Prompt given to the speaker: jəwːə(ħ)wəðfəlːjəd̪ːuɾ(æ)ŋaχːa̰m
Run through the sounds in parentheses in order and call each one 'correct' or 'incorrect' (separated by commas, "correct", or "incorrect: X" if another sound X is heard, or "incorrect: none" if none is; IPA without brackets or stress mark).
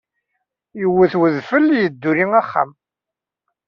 incorrect: θ, incorrect: i